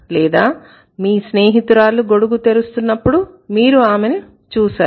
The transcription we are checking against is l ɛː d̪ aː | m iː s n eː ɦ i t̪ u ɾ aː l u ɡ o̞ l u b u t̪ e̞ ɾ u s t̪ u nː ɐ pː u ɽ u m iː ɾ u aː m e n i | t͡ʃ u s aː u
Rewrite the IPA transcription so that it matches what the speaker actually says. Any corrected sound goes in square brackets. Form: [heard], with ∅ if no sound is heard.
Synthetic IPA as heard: l ɛː d̪ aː | m iː s n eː ɦ i t̪ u ɾ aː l u ɡ o̞ [ɽ] u [ɡ] u t̪ e̞ ɾ u s t̪ u nː ɐ pː u ɽ u m iː ɾ u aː m e n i | t͡ʃ [uː] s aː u